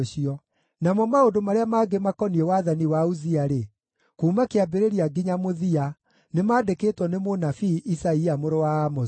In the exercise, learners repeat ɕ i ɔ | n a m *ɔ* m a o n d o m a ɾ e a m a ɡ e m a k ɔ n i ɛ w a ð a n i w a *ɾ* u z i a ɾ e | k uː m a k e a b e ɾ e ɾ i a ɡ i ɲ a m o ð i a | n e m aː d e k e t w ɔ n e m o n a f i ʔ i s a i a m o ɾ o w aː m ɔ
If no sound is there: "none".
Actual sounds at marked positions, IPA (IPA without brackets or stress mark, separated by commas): ɔ, none